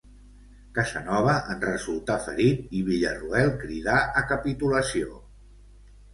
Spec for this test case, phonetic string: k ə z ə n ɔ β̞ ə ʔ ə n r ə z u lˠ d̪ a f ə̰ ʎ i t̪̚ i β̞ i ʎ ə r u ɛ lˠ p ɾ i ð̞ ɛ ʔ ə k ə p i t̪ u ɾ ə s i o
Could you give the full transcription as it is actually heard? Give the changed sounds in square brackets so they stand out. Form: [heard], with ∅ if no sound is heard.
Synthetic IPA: k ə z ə n ɔ β̞ ə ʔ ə n r ə z u lˠ [t̪] a f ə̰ [ɾ] i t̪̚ i β̞ i ʎ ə r u ɛ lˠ [k] ɾ i ð̞ [a] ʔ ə k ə p i t̪ u [l] ə s i o